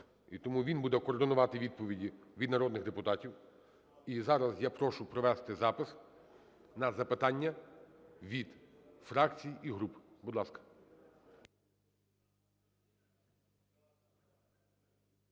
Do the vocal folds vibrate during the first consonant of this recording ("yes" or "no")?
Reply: no